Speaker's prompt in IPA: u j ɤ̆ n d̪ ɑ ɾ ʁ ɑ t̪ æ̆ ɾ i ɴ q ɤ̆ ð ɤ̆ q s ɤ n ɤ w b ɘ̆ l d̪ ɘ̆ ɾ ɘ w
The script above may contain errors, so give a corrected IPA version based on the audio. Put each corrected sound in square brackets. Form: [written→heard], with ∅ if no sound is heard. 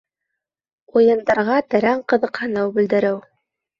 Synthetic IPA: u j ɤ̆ n d̪ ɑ ɾ ʁ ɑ t̪ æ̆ ɾ [i→æ] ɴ q ɤ̆ ð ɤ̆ q [s→h] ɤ n ɤ w b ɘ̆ l d̪ ɘ̆ ɾ ɘ w